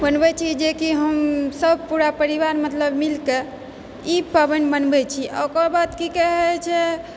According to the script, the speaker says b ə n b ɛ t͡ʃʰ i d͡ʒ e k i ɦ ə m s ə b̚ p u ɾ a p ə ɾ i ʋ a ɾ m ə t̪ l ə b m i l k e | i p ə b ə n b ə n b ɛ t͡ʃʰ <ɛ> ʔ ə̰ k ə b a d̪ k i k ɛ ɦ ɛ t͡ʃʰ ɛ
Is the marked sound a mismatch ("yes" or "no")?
yes